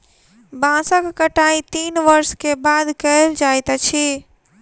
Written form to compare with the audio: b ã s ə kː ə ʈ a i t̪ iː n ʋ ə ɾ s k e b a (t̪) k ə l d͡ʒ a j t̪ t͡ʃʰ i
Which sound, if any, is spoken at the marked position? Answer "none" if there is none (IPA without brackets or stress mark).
d̪